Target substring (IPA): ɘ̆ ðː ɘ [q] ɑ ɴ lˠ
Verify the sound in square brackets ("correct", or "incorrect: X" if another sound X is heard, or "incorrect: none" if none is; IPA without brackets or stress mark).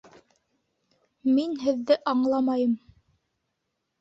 incorrect: ʔ